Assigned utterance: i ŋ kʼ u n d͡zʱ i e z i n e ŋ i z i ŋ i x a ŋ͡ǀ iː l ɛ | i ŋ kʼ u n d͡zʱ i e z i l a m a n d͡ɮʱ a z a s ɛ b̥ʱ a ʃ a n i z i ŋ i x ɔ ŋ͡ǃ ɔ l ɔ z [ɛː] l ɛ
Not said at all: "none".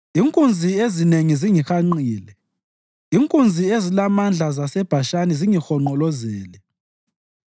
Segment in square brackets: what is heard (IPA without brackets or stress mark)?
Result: ɛː